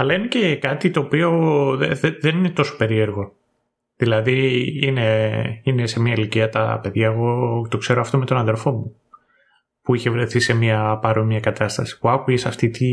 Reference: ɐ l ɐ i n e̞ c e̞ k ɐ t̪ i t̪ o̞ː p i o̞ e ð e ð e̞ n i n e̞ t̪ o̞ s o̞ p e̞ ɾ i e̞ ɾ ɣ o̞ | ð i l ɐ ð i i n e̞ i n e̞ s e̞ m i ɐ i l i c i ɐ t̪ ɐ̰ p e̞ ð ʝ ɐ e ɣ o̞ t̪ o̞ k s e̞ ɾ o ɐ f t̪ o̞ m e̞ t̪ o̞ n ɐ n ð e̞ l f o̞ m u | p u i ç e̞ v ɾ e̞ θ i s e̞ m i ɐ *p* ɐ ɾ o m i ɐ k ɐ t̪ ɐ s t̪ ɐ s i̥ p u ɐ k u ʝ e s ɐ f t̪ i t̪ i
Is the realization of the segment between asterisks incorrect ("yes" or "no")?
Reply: no